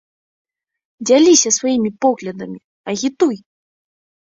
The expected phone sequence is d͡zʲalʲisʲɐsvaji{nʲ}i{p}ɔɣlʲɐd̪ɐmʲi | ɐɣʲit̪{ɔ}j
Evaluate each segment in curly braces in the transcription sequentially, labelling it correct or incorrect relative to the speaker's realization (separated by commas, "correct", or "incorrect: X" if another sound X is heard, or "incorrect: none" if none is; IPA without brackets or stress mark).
incorrect: mʲ, correct, incorrect: u